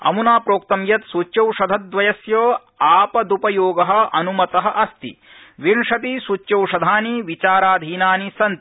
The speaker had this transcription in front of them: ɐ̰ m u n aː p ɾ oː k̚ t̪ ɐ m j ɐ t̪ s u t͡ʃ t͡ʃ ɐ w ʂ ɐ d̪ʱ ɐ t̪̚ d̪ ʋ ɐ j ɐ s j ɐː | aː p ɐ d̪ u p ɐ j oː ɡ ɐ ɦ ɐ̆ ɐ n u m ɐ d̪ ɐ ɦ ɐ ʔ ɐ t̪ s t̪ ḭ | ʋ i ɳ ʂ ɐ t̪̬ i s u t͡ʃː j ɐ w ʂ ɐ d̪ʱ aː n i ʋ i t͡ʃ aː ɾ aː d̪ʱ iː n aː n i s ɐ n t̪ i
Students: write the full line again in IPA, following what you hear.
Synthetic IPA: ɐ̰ m u n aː p ɾ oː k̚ t̪ ɐ m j ɐ t̪ s u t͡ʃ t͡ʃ ɐ w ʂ ɐ d̪ʱ ɐ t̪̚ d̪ ʋ ɐ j ɐ s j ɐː | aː p ɐ d̪ u p ɐ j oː ɡ ɐ ɦ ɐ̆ ɐ n u m ɐ t̪ ɐ ɦ ɐ ʔ ɐ s t̪ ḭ | ʋ i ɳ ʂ ɐ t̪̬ i s u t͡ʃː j ɐ w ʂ ɐ d̪ʱ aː n i ʋ i t͡ʃ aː ɾ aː d̪ʱ iː n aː n i s ɐ n t̪ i

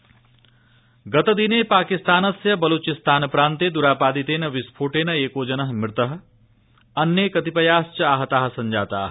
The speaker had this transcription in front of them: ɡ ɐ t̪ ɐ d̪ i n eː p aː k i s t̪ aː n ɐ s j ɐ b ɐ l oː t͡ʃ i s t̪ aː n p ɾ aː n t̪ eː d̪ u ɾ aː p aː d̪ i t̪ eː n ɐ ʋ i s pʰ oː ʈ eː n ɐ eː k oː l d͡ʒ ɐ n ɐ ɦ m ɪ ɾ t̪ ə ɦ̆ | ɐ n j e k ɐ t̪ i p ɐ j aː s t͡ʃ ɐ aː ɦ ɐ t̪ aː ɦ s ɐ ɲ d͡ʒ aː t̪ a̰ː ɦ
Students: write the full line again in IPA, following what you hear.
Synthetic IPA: ɡ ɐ t̪ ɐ d̪ i n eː p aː k i s t̪ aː n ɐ s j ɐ b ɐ l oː t͡ʃ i s t̪ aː n p ɾ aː n t̪ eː d̪ u ɾ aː p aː d̪ i t̪ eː n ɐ ʋ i s pʰ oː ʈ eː n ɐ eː k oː d͡ʒ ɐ n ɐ ɦ m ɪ ɾ t̪ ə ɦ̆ | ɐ n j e k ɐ t̪ i p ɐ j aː s t͡ʃ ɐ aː ɦ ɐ t̪ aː ɦ s ɐ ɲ d͡ʒ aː t̪ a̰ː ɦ

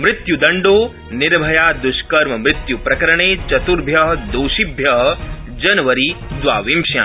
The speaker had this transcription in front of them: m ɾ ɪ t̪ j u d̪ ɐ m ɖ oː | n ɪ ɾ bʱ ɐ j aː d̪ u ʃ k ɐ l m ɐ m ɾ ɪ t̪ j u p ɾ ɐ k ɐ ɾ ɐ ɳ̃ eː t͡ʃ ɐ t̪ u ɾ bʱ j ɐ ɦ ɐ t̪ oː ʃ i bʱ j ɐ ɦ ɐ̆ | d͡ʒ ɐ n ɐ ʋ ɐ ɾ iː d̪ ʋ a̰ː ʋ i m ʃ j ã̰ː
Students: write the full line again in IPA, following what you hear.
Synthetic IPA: m ɾ ɪ t̪ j u d̪ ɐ ɳ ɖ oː | n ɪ ɾ bʱ ɐ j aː d̪ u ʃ k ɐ ɾ m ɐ m ɾ ɪ t̪ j u p ɾ ɐ k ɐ ɾ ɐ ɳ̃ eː t͡ʃ ɐ t̪ u ɾ bʱ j ɐ ɦ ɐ d̪ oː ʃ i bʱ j ɐ ɦ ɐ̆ | d͡ʒ ɐ n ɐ ʋ ɐ ɾ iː d̪ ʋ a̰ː ʋ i m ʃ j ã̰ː

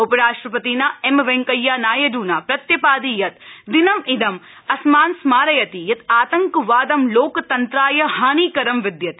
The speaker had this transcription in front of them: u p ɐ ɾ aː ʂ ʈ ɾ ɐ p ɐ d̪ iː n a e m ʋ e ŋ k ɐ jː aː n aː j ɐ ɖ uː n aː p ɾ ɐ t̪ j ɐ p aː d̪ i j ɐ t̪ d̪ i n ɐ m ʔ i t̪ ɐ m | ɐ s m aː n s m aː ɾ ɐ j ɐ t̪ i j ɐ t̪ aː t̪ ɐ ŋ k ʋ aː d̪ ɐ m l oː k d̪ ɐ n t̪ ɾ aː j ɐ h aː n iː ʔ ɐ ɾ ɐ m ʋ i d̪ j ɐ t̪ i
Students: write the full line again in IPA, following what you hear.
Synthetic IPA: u p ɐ ɾ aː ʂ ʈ ɾ ɐ p ɐ t̪ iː n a e m ʋ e ŋ k ɐ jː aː n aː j ɐ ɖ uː n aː p ɾ ɐ t̪ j ɐ p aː d̪ i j ɐ t̪ d̪ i n ɐ m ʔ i d̪ ɐ m | ɐ s m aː n s m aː ɾ ɐ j ɐ t̪ i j ɐ t̪ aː t̪ ɐ ŋ k ʋ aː d̪ ɐ m l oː k t̪ ɐ n t̪ ɾ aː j ɐ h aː n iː k ɐ ɾ ɐ m ʋ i d̪ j ɐ t̪ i

